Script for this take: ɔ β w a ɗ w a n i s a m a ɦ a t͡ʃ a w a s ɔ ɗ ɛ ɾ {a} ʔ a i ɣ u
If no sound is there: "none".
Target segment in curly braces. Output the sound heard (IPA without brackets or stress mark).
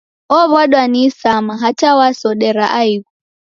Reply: a